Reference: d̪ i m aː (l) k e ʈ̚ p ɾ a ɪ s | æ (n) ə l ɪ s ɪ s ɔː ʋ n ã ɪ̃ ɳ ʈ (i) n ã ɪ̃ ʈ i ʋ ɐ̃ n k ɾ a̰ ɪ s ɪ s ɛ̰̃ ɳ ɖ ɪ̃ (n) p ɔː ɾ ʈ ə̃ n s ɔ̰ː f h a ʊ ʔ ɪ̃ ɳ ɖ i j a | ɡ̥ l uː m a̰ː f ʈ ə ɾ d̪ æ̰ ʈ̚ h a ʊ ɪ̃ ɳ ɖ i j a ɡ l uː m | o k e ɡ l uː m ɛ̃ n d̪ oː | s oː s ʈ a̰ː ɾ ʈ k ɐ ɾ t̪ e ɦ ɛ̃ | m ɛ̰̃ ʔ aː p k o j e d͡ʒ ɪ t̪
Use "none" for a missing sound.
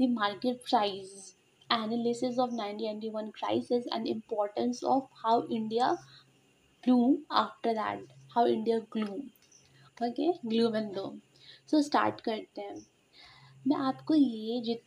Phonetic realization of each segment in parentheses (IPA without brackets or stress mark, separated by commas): ɾ, n, i, m